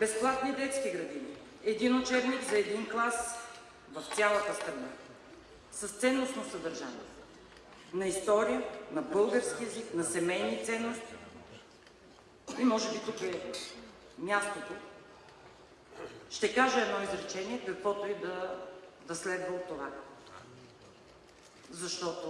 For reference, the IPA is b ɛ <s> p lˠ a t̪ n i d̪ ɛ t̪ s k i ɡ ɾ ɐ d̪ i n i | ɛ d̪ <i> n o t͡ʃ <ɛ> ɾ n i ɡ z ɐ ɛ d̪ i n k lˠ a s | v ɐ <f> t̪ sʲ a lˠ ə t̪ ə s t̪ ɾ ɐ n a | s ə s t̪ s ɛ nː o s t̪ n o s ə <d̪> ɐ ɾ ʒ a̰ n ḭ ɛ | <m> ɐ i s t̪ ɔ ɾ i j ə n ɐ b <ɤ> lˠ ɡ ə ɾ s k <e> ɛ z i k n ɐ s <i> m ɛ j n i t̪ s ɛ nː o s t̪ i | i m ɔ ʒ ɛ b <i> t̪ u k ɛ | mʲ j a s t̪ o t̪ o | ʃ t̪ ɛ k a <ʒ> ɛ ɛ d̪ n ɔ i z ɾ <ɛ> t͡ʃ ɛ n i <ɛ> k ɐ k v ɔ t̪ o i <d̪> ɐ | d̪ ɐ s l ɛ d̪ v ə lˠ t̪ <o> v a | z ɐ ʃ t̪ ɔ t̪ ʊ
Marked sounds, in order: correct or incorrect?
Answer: correct, correct, correct, correct, correct, incorrect: n, correct, incorrect: i, incorrect: ɛ, correct, correct, correct, correct, correct, correct

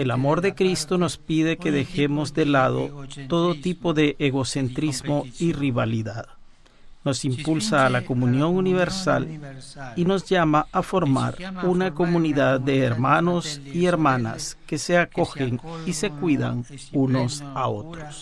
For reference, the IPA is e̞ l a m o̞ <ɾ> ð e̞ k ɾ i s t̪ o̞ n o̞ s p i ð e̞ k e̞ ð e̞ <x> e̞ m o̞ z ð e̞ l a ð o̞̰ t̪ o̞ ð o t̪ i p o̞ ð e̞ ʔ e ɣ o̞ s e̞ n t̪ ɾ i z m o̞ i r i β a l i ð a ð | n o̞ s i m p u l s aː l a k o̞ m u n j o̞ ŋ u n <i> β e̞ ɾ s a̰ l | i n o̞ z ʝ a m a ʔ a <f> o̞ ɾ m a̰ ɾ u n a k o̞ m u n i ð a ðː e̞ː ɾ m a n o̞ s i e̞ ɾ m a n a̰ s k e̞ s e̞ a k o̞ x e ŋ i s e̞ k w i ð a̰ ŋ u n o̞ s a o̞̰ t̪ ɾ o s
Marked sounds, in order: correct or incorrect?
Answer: correct, correct, correct, correct

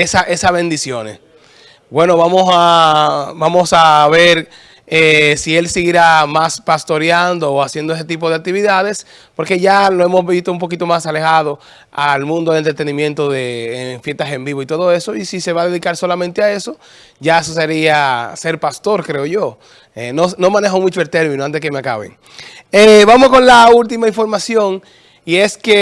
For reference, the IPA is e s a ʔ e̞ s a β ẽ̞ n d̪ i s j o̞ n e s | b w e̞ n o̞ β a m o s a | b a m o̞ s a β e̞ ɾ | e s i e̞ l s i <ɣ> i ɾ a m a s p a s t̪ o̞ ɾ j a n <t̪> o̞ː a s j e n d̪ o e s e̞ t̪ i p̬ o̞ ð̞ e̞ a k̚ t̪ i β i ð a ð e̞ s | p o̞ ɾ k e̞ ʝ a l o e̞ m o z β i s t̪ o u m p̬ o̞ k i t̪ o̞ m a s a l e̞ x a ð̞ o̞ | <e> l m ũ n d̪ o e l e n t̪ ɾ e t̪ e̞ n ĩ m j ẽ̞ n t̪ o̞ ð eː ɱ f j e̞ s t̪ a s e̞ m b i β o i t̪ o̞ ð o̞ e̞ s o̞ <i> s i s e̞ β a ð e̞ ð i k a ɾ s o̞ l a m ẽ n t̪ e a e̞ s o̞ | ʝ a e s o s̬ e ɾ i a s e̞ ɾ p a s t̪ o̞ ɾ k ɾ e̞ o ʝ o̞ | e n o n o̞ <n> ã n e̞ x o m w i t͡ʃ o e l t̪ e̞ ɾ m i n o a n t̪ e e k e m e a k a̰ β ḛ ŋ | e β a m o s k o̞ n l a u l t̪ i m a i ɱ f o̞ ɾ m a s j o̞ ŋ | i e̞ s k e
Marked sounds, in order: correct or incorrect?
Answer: correct, incorrect: d̪, incorrect: a, correct, incorrect: m

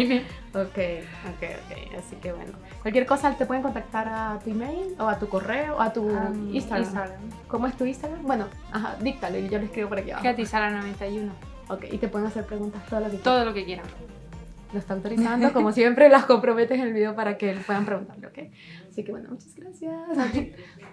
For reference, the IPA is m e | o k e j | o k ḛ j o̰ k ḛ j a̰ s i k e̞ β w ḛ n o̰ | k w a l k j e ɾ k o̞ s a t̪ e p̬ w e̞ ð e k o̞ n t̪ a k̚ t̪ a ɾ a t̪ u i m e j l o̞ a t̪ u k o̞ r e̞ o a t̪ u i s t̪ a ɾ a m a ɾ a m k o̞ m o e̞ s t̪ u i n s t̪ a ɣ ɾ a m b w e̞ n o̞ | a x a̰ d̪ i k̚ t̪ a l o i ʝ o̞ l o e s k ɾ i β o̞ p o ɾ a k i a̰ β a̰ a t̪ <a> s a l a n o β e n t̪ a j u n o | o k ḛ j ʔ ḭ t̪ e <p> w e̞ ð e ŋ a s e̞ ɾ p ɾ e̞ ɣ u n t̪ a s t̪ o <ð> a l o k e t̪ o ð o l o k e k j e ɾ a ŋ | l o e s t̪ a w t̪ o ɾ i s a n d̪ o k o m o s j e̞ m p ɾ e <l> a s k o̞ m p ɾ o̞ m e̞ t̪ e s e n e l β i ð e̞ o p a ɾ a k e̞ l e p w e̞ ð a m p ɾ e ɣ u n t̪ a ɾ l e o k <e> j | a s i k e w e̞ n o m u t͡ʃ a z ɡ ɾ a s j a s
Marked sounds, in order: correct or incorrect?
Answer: incorrect: i, correct, correct, correct, correct

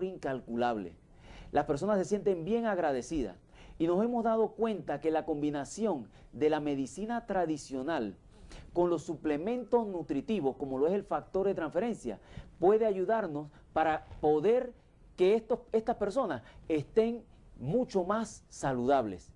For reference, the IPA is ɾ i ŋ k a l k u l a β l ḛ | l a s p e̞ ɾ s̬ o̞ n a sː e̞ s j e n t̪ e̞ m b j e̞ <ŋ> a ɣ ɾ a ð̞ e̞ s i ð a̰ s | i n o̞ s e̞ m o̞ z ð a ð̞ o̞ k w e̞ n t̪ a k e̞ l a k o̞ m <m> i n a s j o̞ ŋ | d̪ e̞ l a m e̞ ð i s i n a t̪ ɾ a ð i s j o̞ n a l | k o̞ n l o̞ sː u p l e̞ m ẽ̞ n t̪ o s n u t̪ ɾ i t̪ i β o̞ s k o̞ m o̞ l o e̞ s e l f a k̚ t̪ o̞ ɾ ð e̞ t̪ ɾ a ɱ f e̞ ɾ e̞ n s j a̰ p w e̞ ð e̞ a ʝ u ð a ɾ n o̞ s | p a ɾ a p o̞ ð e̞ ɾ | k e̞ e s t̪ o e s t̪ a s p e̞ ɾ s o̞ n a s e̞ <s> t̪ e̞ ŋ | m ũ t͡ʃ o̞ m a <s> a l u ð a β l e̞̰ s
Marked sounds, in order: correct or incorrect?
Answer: correct, incorrect: b, correct, incorrect: sː

